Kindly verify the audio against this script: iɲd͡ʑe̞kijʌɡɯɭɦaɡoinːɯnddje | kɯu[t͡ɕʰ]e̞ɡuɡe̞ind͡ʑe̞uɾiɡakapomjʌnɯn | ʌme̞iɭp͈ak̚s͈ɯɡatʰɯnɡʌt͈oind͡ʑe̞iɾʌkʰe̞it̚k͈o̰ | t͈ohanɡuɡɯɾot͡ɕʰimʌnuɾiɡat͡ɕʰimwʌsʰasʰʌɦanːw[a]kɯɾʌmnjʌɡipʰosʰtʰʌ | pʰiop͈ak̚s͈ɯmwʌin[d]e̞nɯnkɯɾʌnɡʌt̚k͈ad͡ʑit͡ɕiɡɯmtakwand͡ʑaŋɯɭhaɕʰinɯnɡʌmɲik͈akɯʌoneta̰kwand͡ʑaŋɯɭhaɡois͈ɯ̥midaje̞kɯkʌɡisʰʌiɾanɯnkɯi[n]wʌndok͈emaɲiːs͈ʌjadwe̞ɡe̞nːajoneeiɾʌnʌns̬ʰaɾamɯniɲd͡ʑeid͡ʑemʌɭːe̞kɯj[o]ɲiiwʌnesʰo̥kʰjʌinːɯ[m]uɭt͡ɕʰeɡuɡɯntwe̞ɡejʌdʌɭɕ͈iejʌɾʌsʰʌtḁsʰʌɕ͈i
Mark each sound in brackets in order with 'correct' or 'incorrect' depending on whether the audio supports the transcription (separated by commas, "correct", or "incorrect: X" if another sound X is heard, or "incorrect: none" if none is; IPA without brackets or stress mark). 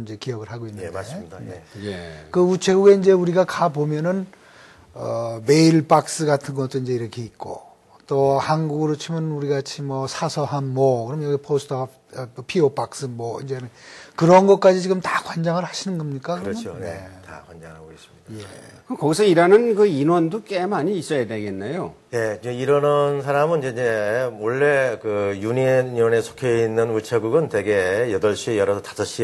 correct, incorrect: ʌ, incorrect: d͡ʑ, correct, incorrect: u, incorrect: n